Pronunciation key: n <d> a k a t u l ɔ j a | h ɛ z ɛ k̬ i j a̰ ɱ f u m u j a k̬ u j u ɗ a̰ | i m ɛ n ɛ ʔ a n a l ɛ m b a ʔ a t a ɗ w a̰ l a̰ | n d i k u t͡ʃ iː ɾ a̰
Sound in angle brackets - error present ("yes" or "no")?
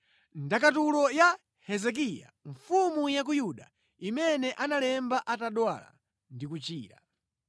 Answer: no